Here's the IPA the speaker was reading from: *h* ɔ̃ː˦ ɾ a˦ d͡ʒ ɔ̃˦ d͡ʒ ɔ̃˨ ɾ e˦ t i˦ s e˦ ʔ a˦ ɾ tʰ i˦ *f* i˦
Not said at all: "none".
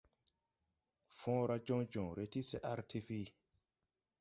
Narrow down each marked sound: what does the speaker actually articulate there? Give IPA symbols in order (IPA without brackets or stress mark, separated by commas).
f, f